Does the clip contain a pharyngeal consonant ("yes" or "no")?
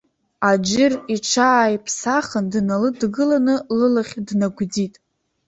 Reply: no